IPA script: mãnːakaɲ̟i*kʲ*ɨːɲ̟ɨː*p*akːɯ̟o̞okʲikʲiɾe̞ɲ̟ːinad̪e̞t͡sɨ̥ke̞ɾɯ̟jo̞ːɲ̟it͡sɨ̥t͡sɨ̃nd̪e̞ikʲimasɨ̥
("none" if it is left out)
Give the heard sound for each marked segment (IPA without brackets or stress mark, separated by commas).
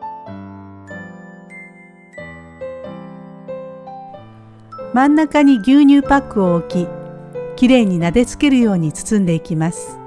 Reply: ɡʲ, p